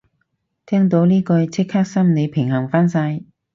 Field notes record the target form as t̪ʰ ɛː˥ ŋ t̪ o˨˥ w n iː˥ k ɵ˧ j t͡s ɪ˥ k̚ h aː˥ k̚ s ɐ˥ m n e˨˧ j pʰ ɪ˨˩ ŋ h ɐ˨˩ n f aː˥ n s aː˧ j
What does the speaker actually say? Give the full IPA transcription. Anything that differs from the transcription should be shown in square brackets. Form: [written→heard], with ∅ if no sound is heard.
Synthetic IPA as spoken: t̪ʰ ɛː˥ ŋ t̪ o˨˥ w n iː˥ k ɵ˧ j [t͡s→t͡sʰ] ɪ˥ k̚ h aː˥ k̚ s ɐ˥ m n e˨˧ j pʰ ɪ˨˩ ŋ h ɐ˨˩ [n→ŋ] f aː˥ n s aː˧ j